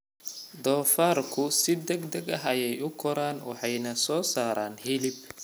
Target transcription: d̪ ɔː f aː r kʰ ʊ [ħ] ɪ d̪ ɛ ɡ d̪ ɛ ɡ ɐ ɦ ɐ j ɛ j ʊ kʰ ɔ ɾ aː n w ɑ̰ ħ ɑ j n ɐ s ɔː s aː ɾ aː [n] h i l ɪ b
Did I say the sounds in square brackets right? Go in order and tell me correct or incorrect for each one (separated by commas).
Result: incorrect, correct